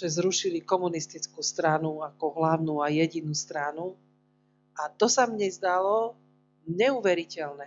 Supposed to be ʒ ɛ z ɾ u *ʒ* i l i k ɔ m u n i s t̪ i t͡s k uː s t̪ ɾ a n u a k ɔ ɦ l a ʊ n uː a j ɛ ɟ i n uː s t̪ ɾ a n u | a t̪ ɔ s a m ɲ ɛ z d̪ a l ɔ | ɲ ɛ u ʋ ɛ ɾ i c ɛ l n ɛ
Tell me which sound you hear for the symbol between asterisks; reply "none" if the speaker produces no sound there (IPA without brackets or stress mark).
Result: ʃ